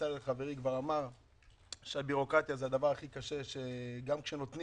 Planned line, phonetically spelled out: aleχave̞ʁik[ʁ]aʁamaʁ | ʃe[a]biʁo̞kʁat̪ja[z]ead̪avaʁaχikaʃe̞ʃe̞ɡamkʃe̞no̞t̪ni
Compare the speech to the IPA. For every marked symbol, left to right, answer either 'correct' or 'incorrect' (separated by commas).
incorrect, correct, correct